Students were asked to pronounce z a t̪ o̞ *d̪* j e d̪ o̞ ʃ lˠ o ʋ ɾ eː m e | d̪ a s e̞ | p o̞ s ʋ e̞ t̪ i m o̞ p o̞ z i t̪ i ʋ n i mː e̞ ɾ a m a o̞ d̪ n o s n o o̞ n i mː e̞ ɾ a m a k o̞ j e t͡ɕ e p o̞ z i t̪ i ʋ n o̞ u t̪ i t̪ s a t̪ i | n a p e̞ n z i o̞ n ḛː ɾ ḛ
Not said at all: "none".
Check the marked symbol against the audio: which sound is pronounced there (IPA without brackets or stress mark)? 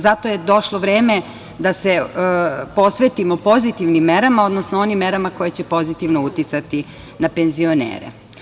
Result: none